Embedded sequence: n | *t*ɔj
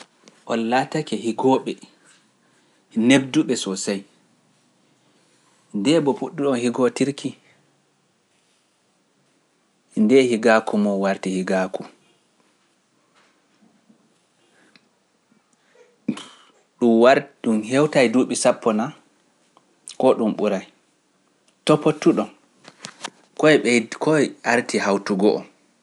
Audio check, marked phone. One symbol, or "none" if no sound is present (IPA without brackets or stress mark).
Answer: k